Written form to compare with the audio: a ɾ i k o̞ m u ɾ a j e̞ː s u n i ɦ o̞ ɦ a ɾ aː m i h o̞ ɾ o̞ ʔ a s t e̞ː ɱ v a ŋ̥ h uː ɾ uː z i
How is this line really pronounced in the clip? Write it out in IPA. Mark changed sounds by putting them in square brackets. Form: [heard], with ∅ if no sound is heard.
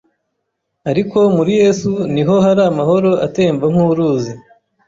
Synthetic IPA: a ɾ i k o̞ m u ɾ [i] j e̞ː s u n i ɦ o̞ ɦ a ɾ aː m [a] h o̞ ɾ o̞ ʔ a [∅] t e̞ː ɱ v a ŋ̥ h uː ɾ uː z i